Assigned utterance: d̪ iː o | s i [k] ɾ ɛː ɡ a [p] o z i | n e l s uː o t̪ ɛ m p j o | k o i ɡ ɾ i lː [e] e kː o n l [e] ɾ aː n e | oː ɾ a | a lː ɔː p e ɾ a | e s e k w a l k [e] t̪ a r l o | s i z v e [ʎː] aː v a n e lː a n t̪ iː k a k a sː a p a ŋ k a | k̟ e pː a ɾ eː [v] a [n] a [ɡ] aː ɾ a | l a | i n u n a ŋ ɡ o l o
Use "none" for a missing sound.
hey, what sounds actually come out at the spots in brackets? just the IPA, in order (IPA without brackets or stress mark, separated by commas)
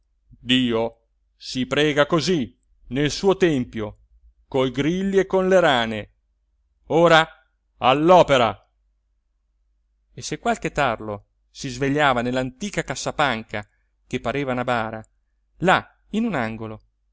p, k, i, e, e, ʎː, v, n, b